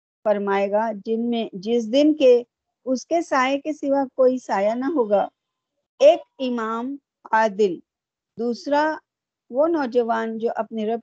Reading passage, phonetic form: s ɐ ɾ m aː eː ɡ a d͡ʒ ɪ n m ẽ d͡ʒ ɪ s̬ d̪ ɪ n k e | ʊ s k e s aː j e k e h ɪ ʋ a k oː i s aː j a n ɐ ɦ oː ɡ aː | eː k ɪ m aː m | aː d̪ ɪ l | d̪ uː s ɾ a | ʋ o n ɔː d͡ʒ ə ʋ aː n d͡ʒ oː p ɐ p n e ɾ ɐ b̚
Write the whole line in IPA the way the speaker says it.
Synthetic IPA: f ɐ ɾ m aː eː ɡ a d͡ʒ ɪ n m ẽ d͡ʒ ɪ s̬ d̪ ɪ n k e | ʊ s k e s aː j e k e s ɪ ʋ a k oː i s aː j a n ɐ ɦ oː ɡ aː | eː k ɪ m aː m | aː d̪ ɪ l | d̪ uː s ɾ a | ʋ o n ɔː d͡ʒ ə ʋ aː n d͡ʒ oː ʔ ɐ p n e ɾ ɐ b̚